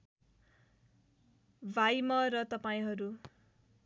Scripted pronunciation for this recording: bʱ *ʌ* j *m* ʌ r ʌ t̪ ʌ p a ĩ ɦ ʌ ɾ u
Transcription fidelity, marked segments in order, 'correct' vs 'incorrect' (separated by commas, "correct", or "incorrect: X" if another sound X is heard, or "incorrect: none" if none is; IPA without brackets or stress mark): incorrect: a, correct